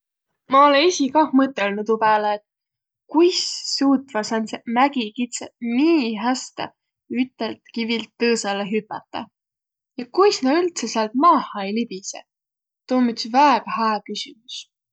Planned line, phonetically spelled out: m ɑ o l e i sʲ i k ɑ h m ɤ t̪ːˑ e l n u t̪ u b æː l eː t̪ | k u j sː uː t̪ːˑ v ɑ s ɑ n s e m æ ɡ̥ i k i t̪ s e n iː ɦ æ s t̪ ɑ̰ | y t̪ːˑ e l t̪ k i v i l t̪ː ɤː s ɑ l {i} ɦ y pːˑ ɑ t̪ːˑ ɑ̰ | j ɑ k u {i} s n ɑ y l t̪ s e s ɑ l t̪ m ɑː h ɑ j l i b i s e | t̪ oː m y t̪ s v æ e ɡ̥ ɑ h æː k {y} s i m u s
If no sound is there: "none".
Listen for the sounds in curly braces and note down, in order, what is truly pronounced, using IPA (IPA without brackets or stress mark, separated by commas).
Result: e, j, y